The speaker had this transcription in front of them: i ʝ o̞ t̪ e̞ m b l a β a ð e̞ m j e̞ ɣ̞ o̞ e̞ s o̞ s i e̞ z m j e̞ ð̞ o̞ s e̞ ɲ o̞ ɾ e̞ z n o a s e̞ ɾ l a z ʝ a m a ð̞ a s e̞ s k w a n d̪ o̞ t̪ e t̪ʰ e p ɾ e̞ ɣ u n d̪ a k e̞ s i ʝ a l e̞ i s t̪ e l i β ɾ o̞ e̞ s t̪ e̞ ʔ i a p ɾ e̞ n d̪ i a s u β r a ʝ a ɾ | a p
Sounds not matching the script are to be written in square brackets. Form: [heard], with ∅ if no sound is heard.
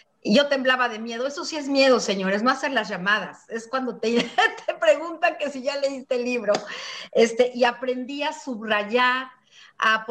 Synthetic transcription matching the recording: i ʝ o̞ t̪ e̞ m b l a β a ð e̞ m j e̞ [ð̞] o̞ e̞ s o̞ s i e̞ z m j e̞ ð̞ o̞ s e̞ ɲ o̞ ɾ e̞ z n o a s e̞ ɾ l a z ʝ a m a ð̞ a s e̞ s k w a n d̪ o̞ t̪ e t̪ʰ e p ɾ e̞ ɣ u n [t̪] a k e̞ s i ʝ a l e̞ i s t̪ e l i β ɾ o̞ e̞ s t̪ e̞ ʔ i a p ɾ e̞ n d̪ i a s u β r a ʝ a ɾ | a p